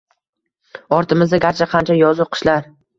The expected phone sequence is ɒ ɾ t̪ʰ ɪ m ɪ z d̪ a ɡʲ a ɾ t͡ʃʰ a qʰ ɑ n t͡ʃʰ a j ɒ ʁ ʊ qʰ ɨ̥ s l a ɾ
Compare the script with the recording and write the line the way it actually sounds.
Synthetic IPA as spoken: ɒ ɾ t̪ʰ ɪ m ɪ z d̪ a ɡʲ a ɾ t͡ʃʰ a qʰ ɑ n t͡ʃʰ a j ɒ z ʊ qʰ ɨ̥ ʃ l a ɾ